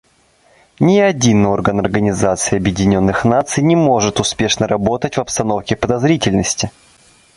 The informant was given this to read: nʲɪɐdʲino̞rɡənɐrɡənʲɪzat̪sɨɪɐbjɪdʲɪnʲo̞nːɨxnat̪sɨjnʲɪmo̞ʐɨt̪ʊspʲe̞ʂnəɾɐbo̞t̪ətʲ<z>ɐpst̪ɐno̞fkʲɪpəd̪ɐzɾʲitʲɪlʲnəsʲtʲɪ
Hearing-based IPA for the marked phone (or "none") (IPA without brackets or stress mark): v